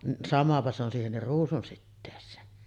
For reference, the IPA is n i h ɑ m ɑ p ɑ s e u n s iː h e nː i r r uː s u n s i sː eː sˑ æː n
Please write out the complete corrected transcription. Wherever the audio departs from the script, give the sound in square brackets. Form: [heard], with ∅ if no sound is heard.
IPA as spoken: n i [s] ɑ m ɑ p ɑ s e [o] n s iː h e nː i r r uː s u n s i [tː] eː sˑ [eː] n